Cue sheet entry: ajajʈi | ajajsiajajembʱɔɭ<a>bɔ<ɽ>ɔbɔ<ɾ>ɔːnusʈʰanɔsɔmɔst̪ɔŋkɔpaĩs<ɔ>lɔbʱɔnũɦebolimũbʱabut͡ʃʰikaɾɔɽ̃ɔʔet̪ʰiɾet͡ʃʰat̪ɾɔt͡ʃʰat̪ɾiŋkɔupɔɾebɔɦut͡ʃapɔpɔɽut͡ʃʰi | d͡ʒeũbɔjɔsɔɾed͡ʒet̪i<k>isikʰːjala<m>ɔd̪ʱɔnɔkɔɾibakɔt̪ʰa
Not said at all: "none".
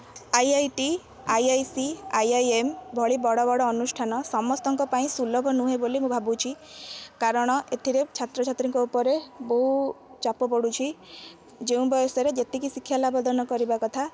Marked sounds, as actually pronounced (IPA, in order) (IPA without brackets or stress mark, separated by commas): i, ɽ, ɽ, u, k, b